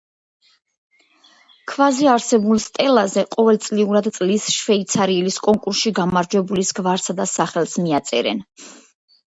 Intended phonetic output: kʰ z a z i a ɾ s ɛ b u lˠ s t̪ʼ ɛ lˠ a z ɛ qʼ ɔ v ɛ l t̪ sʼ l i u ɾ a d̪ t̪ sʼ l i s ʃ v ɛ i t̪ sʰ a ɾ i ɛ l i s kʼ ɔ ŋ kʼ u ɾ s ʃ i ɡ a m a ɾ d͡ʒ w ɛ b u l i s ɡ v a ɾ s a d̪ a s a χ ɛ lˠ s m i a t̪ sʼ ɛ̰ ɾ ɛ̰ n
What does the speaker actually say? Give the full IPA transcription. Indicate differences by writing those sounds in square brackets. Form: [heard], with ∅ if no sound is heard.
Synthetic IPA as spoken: kʰ [v] a z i a ɾ s ɛ b u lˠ s t̪ʼ ɛ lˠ a z ɛ qʼ ɔ v ɛ l t̪ sʼ l i u ɾ a d̪ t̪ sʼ l i s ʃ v ɛ i t̪ sʰ a ɾ i ɛ l i s kʼ ɔ ŋ kʼ u ɾ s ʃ i ɡ a m a ɾ d͡ʒ w ɛ b u l i s ɡ v a ɾ s a d̪ a s a χ ɛ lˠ s m i a t̪ sʼ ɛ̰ ɾ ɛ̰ n